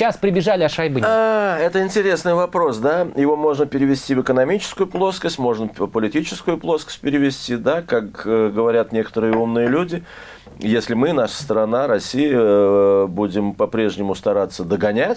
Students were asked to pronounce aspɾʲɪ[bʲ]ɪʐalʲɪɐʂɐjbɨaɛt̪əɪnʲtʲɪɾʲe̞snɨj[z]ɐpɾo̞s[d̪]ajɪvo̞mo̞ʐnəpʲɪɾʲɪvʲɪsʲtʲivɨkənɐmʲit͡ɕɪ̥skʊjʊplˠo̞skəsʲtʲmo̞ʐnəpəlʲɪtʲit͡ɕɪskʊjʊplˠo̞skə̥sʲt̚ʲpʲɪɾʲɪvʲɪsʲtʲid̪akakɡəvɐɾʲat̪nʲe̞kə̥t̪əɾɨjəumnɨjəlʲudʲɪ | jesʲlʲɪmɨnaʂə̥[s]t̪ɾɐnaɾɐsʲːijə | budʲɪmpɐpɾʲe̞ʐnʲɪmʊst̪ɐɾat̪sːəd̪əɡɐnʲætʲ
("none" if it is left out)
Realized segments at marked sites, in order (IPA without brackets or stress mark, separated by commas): bʲ, v, d̪, s